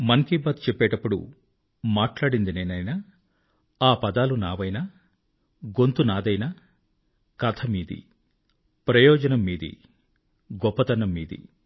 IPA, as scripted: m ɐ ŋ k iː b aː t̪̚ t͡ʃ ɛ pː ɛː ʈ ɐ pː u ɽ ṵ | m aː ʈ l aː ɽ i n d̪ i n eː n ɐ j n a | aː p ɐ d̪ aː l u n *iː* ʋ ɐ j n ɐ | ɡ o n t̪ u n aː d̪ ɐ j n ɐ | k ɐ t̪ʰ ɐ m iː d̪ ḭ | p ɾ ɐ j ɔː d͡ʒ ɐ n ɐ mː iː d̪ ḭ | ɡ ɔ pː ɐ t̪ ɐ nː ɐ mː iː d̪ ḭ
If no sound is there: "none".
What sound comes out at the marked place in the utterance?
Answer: aː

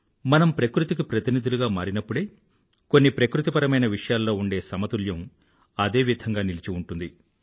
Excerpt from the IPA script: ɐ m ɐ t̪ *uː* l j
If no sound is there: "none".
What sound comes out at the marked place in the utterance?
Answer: u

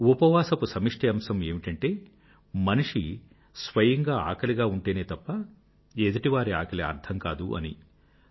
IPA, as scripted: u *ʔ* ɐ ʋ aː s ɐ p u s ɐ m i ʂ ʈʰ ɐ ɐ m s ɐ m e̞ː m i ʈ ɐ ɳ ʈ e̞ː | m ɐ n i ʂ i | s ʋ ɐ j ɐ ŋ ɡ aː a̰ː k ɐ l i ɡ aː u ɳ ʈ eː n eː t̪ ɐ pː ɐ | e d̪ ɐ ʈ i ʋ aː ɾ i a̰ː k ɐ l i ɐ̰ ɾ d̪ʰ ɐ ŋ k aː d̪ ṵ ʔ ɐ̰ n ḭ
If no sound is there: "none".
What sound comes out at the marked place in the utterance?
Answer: p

